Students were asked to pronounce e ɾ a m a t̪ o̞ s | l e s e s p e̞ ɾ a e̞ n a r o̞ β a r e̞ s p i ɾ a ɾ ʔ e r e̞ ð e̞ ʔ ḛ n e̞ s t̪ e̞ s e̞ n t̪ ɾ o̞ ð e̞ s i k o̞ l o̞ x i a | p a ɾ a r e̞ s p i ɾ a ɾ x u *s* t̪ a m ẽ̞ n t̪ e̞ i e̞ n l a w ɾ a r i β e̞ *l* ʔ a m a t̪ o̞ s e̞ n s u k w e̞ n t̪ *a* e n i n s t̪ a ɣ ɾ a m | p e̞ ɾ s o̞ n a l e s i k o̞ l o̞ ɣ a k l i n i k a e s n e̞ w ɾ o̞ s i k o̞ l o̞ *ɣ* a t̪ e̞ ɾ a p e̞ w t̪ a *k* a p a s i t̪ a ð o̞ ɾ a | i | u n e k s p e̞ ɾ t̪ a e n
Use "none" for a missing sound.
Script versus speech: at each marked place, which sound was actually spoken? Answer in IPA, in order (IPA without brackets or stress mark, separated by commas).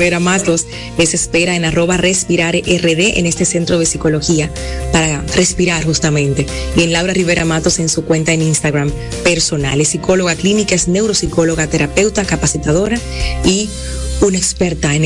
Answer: s, ɾ, a, ɣ, k